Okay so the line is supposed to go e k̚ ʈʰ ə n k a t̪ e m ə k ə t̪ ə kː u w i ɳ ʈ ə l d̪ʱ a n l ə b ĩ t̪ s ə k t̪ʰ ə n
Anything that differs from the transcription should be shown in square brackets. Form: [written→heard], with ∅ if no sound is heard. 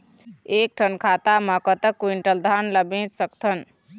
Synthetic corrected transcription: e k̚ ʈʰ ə n [k→kʰ] a t̪ [e→a] m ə k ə t̪ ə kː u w i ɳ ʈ ə l d̪ʱ a n l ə b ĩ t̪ s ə k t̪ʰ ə n